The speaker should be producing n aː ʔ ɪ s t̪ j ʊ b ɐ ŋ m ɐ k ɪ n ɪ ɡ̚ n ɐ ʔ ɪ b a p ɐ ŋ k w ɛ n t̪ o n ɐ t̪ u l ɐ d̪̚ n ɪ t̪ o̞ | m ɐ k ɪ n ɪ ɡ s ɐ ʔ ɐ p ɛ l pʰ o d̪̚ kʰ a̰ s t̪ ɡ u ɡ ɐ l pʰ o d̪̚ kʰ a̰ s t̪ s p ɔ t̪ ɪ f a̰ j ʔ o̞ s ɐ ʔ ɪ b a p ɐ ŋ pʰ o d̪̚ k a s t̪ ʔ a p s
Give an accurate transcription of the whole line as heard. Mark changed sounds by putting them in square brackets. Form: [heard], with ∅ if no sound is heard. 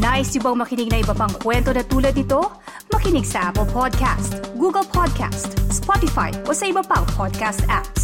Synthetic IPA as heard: n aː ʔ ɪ s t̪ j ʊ b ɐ ŋ m ɐ k ɪ n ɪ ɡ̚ n ɐ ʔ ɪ b [ɐ] p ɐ ŋ k w ɛ n t̪ o n ɐ t̪ [uː] l ɐ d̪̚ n ɪ t̪ o̞ | m ɐ k ɪ n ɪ ɡ s ɐ ʔ [a] p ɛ l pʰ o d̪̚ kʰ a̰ s t̪ ɡ u ɡ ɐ l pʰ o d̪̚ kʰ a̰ s t̪ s p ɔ t̪ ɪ f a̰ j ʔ o̞ s ɐ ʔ ɪ b [ɐ] p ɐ ŋ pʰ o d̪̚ k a s t̪ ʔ a p s